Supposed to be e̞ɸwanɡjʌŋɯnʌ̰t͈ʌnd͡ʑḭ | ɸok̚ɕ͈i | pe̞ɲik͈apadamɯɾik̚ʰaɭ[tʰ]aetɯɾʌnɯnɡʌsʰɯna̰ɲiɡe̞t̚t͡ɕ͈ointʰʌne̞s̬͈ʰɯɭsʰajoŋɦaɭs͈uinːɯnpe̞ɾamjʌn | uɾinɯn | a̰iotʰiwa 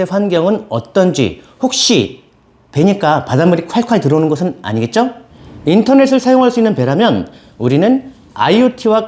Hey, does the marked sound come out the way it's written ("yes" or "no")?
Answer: no